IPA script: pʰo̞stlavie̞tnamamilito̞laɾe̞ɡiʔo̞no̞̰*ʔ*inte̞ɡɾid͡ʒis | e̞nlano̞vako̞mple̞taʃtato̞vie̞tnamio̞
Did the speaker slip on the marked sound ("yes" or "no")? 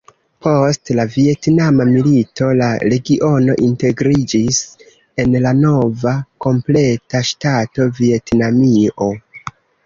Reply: no